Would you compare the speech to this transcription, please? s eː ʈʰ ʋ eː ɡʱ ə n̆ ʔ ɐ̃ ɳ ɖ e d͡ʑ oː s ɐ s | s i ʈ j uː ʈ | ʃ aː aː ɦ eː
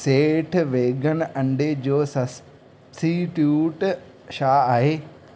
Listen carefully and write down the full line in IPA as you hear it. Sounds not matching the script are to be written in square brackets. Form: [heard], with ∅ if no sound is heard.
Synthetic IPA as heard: s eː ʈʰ ʋ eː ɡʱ ə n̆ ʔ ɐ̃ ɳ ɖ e d͡ʑ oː s ɐ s | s i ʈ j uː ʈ | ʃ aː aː ɦ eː

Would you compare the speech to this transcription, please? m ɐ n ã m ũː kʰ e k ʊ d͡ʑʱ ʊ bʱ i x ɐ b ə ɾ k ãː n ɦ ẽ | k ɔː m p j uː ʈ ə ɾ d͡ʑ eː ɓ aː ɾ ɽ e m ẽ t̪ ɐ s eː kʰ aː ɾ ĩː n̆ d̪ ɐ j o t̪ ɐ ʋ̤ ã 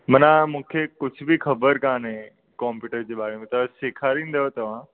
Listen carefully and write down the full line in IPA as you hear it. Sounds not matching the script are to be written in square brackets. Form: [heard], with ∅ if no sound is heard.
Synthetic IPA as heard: m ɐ n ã m ũː kʰ e k ʊ d͡ʑʱ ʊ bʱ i x ɐ b ə ɾ k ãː n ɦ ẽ | k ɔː m p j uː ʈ ə ɾ d͡ʑ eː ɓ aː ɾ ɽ e m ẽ t̪ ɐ s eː kʰ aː ɾ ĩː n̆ d̪ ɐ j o t̪ ɐ ʋ̤ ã

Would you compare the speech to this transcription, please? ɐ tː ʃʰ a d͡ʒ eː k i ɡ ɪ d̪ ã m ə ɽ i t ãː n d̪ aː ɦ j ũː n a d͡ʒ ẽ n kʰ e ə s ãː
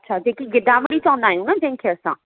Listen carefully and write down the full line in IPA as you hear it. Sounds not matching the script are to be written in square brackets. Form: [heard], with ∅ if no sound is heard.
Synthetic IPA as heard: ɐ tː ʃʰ a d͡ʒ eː k i ɡ ɪ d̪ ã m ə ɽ i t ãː n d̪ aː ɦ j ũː n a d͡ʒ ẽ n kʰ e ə s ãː

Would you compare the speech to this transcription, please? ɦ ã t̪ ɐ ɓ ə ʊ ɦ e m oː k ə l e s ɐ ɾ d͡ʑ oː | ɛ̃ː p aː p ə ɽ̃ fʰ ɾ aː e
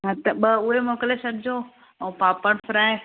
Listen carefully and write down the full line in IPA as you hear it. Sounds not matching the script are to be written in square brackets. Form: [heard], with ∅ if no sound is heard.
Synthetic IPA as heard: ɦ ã t̪ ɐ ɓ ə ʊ ɦ e m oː k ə l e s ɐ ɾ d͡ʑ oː | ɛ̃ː p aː p ə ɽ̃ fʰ ɾ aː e

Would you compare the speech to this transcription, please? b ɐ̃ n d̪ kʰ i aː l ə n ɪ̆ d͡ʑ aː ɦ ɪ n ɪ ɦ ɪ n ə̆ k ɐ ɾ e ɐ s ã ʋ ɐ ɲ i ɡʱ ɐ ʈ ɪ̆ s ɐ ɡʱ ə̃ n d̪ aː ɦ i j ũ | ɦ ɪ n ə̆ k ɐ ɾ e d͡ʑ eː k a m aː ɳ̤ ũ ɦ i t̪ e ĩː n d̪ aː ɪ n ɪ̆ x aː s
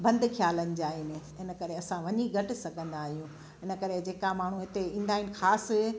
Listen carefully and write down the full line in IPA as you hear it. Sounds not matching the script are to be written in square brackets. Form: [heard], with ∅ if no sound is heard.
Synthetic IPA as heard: b ɐ̃ n d̪ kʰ [j] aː l ə n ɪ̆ d͡ʑ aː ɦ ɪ n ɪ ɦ ɪ n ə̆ k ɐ ɾ e ɐ s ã ʋ ɐ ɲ i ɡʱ ɐ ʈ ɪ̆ s ɐ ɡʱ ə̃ n d̪ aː ɦ i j ũ | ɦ ɪ n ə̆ k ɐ ɾ e d͡ʑ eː k a m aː ɳ̤ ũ ɦ [ɪ] t̪ e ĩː n d̪ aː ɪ n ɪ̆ x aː s

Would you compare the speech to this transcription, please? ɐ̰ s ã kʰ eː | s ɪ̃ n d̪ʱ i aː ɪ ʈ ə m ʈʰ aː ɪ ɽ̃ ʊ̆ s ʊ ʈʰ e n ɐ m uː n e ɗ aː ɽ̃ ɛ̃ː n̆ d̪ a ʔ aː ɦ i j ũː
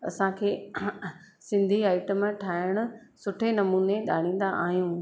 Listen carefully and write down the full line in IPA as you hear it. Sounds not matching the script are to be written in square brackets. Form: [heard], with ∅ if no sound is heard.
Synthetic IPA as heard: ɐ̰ s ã kʰ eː | s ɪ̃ n d̪ʱ i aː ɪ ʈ ə m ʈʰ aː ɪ ɽ̃ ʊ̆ s ʊ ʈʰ e n ɐ m uː n e ɗ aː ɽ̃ [ĩː] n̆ d̪ a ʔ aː ɦ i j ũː

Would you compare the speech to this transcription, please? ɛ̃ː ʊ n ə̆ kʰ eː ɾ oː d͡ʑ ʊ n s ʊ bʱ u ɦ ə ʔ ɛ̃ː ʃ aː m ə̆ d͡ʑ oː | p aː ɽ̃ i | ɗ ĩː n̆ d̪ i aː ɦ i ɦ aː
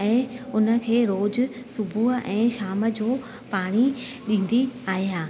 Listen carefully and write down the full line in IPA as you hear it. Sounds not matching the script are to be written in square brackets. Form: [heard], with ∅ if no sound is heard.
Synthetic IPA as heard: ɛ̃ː ʊ n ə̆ kʰ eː ɾ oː d͡ʑ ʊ [∅] s ʊ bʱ u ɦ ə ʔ ɛ̃ː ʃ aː m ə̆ d͡ʑ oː | p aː ɽ̃ i | ɗ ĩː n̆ d̪ i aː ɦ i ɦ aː

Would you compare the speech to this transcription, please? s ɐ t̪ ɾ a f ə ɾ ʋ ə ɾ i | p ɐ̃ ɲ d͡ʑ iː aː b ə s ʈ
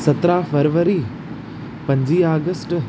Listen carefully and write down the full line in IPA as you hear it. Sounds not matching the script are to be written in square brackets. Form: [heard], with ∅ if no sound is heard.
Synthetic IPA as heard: s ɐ t̪ ɾ a f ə ɾ ʋ ə ɾ i | p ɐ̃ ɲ d͡ʑ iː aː [ɡ] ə s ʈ

